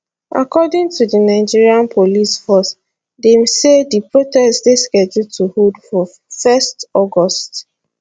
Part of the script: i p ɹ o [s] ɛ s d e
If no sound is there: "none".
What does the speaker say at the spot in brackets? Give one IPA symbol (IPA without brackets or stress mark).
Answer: t